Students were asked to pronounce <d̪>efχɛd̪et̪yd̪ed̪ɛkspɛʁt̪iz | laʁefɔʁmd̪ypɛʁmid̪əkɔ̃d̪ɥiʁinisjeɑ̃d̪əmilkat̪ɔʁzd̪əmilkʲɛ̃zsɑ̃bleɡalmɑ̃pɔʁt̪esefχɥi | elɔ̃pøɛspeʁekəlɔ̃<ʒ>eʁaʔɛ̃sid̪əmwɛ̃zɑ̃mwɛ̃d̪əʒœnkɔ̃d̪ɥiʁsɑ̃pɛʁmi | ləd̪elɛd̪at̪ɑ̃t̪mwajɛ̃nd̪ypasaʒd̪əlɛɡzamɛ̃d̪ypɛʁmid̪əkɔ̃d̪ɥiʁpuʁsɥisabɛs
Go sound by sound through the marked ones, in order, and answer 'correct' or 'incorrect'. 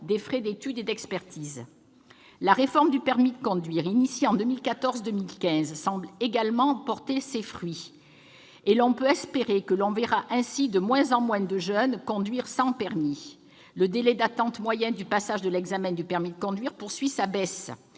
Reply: correct, incorrect: v

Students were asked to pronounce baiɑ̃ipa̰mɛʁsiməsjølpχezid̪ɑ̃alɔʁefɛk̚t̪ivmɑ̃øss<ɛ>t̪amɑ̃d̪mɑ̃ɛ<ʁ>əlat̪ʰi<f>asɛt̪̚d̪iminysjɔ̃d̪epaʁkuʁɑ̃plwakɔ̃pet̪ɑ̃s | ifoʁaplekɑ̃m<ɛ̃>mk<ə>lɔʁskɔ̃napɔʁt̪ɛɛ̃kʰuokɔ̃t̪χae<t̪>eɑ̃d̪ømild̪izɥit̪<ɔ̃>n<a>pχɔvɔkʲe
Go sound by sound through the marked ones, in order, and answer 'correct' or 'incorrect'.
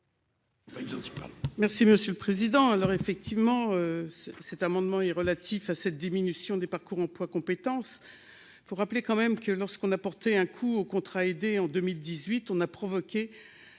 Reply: correct, correct, correct, incorrect: ɛ, correct, incorrect: d̪, correct, correct

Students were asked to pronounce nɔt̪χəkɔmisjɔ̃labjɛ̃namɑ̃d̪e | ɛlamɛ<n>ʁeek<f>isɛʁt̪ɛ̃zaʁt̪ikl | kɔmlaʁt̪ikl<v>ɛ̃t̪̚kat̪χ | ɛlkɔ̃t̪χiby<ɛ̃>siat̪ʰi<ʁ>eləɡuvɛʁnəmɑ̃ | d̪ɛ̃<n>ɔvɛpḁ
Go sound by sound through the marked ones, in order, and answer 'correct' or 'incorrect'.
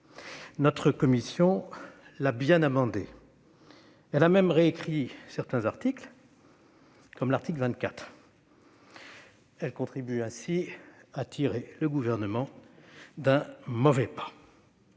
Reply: incorrect: m, incorrect: χ, correct, correct, correct, incorrect: m

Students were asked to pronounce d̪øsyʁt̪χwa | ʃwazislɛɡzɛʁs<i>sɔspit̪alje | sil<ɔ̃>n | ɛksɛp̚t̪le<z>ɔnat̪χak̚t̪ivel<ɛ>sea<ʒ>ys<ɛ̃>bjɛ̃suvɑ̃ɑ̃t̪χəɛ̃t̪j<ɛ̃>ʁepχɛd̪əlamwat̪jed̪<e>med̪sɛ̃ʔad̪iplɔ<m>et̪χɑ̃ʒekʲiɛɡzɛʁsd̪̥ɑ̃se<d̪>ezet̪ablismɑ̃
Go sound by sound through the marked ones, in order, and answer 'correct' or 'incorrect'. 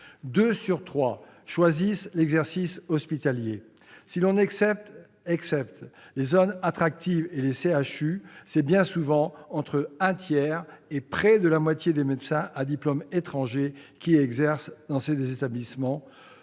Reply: correct, correct, correct, incorrect: e, incorrect: ʃ, incorrect: ɛ, incorrect: ɛ, correct, correct, correct

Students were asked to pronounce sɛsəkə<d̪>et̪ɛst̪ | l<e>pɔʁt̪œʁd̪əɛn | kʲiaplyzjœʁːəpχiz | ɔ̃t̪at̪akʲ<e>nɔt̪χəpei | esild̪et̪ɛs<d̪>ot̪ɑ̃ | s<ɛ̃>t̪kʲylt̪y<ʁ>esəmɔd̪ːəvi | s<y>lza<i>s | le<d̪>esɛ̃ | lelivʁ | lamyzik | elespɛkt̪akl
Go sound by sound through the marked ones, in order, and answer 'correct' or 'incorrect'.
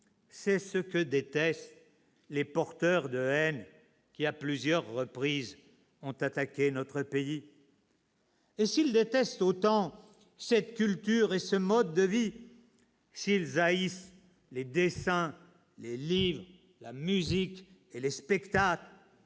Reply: correct, correct, correct, incorrect: t̪, incorrect: ɛ, correct, incorrect: i, correct, correct

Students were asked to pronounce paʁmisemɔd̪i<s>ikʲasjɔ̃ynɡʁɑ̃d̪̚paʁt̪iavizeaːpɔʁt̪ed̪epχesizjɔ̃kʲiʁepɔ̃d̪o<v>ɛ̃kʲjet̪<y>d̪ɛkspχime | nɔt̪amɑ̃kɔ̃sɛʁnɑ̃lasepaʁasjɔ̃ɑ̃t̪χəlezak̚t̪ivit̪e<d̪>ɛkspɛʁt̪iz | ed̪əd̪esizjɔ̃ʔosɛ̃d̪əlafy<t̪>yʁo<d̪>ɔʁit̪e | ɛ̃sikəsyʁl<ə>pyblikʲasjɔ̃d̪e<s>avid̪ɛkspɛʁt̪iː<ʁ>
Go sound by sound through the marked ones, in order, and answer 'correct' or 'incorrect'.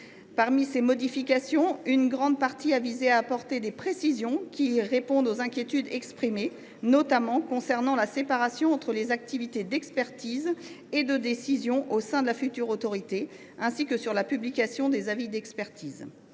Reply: incorrect: f, incorrect: z, correct, correct, correct, incorrect: t̪, incorrect: a, incorrect: z, incorrect: z

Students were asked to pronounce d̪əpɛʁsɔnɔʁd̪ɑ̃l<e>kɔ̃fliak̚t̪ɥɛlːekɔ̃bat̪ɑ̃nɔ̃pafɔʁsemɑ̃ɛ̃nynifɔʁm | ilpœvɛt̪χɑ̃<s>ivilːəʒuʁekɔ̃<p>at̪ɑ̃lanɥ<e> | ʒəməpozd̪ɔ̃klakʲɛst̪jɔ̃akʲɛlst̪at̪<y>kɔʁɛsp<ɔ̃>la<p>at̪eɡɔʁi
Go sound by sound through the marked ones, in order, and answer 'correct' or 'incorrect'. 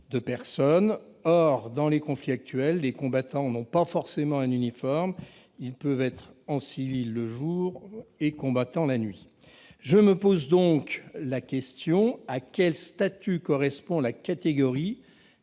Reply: correct, correct, incorrect: b, incorrect: i, correct, correct, incorrect: k

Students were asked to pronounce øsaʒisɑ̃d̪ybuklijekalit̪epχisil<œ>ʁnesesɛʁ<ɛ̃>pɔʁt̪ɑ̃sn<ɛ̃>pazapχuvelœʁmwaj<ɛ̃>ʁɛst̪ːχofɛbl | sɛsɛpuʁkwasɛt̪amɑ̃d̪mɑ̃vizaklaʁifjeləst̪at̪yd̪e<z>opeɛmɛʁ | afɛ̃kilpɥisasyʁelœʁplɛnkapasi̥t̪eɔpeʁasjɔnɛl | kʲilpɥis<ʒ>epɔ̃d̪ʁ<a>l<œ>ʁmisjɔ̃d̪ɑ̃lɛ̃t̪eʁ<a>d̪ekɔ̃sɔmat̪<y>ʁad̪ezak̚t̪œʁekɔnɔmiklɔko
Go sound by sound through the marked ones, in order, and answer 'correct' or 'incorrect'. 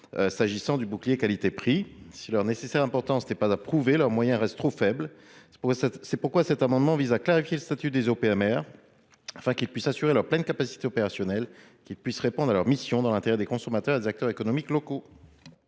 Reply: correct, correct, incorrect: ɛ, correct, correct, incorrect: ʁ, correct, correct, incorrect: ɛ, incorrect: œ

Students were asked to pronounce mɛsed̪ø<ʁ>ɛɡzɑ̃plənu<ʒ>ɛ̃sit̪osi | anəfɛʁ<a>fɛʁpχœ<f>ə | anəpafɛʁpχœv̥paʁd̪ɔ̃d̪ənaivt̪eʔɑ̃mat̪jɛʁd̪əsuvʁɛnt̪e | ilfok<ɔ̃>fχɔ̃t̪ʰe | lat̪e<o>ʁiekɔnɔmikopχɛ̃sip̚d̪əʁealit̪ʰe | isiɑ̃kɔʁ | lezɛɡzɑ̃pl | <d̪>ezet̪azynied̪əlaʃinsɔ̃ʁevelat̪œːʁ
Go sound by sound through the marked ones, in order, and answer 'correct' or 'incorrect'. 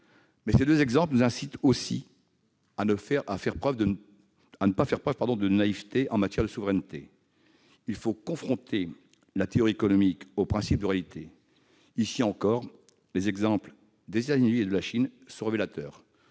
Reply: incorrect: z, incorrect: z, correct, incorrect: v, correct, incorrect: ɔ, correct

